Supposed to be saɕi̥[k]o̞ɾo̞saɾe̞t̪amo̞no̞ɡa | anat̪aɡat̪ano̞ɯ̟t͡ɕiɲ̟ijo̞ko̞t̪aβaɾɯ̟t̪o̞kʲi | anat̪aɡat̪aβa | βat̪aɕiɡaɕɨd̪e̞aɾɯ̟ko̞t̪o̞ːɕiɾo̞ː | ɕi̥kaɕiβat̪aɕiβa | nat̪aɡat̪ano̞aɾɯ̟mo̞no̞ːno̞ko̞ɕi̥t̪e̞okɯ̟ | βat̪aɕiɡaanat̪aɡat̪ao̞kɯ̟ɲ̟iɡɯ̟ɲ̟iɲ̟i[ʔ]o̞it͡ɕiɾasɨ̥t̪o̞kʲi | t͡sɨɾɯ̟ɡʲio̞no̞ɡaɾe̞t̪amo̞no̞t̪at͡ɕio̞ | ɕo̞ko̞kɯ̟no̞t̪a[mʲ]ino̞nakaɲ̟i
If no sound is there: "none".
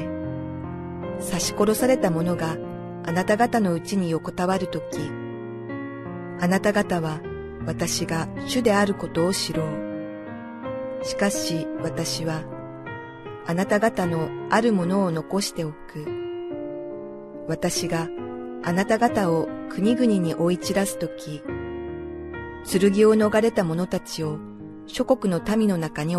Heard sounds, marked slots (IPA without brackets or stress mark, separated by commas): k, ʔ, mʲ